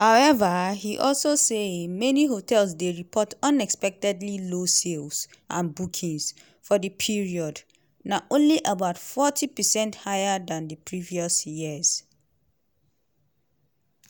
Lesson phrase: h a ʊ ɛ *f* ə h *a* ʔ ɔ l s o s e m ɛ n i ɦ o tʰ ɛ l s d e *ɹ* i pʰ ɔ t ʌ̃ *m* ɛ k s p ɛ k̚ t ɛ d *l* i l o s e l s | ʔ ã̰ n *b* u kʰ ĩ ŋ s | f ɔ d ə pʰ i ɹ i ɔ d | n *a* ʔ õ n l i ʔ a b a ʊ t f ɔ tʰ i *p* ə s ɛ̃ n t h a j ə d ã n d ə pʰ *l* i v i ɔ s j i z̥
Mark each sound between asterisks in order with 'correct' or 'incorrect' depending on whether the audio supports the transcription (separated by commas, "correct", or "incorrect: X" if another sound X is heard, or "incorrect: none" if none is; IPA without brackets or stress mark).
incorrect: v, incorrect: i, correct, incorrect: n, correct, correct, correct, correct, incorrect: ɹ